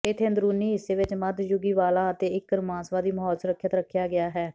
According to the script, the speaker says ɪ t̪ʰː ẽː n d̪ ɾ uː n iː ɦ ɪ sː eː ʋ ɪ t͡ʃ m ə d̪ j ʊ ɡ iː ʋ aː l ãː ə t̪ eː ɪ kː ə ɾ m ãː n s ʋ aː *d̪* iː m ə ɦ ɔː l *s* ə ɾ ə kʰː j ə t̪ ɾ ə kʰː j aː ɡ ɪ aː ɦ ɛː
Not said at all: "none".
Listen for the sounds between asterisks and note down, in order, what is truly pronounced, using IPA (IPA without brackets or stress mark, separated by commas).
d̪, s